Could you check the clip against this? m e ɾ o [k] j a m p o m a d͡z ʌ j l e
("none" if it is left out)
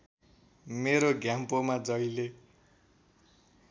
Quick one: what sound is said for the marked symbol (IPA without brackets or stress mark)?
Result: ɡ